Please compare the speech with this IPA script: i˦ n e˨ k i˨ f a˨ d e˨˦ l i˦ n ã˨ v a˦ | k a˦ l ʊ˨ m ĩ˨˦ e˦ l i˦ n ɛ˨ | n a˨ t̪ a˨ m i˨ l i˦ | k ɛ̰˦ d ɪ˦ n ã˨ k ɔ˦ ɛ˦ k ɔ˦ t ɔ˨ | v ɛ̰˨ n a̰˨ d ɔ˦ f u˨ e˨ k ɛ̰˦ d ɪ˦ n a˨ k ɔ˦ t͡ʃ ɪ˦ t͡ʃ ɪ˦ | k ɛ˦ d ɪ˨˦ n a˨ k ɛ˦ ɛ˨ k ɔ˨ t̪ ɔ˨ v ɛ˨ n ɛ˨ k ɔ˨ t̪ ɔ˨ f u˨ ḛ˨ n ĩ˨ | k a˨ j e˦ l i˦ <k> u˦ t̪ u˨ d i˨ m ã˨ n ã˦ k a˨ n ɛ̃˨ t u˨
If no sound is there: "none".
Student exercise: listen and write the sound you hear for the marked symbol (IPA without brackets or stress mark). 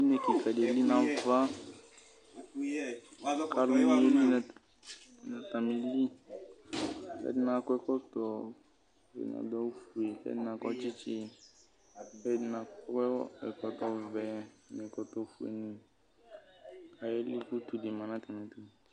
k